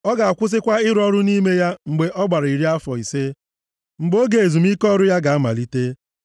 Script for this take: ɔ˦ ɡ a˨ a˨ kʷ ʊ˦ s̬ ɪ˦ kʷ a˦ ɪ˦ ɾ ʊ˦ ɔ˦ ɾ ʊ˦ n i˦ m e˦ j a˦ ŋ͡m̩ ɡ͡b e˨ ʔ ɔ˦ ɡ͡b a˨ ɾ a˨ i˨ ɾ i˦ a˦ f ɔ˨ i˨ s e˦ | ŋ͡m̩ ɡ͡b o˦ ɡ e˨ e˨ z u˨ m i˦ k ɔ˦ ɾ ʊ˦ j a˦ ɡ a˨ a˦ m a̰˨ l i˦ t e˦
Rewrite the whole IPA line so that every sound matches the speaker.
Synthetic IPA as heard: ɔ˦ ɡ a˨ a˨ kʷ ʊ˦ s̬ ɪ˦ kʷ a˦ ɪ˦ ɾ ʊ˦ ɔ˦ ɾ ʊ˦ n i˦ m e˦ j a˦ ŋ͡m̩ ɡ͡b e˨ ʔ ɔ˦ ɡ͡b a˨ ɾ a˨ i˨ ɾ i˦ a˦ f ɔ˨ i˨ s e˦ | ŋ͡m̩ ɡ͡b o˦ ɡ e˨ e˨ z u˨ m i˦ k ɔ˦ ɾ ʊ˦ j a˦ ɡ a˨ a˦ m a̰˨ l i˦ t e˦